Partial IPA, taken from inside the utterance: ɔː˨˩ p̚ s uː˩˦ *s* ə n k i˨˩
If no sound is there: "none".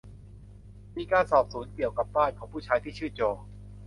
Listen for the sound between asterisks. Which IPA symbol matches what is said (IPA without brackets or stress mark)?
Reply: none